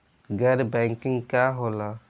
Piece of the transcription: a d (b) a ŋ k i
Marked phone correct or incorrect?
correct